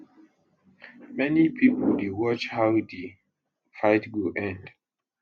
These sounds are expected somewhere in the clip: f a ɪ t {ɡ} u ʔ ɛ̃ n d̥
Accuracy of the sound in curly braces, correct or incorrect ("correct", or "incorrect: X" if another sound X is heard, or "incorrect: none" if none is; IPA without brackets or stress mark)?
correct